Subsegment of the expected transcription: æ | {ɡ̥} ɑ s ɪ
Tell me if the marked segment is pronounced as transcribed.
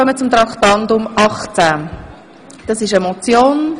no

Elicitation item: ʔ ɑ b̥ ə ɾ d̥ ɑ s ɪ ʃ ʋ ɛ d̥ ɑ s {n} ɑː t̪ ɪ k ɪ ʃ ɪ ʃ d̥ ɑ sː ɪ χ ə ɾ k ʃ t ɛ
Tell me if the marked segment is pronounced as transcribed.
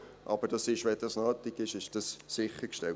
yes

